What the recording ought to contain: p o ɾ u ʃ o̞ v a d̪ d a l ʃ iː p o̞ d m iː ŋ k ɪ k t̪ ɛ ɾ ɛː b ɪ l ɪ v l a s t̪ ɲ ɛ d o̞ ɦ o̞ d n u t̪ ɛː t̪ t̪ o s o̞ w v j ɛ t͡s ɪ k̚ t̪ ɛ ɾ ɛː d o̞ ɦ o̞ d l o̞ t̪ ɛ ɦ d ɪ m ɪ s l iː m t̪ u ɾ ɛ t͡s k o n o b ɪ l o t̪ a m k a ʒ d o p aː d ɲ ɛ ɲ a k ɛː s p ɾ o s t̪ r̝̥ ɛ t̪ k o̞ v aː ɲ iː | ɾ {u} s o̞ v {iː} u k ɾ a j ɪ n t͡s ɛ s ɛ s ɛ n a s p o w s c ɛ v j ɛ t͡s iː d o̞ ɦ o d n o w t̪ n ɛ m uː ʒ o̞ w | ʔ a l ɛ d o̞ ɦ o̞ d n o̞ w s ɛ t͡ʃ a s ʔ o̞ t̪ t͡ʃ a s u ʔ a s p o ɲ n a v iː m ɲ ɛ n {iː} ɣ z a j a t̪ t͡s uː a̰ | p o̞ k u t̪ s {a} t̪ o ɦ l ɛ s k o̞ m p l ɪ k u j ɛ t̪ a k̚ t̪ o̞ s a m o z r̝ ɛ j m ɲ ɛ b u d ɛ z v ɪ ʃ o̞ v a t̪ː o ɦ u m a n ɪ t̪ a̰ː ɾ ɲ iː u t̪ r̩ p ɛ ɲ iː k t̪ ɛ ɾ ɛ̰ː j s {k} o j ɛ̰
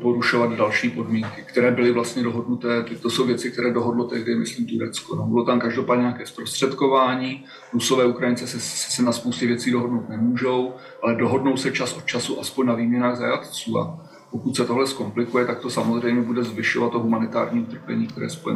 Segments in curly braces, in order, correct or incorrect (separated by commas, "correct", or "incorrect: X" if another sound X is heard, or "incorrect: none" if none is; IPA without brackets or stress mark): correct, incorrect: ɛː, incorrect: aː, incorrect: ɛ, incorrect: p